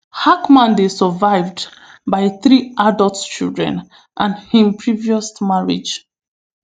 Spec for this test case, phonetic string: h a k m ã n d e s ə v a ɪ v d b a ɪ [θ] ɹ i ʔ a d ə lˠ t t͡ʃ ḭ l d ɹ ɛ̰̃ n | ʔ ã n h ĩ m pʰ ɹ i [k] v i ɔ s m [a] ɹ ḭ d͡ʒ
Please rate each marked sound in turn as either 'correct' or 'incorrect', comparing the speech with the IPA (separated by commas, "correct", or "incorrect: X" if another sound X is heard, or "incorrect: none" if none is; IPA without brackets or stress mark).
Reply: correct, incorrect: none, correct